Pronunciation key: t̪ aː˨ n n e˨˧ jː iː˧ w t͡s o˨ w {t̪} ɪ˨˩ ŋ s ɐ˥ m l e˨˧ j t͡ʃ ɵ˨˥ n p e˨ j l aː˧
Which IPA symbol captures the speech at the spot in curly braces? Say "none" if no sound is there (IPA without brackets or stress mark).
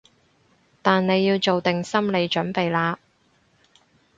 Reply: t̪